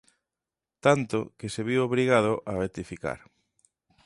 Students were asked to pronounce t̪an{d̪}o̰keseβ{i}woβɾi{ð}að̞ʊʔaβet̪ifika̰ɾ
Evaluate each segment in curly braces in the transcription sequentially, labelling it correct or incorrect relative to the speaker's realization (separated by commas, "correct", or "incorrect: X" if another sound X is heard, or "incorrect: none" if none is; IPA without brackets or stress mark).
incorrect: t̪, correct, incorrect: ɣ